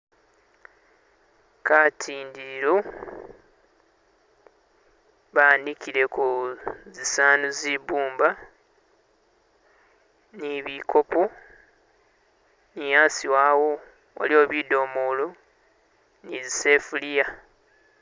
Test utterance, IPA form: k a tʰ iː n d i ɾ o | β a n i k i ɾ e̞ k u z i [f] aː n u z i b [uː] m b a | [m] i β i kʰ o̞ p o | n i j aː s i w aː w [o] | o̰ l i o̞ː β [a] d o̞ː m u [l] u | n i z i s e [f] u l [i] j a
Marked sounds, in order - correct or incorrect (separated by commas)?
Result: incorrect, correct, incorrect, correct, incorrect, correct, correct, correct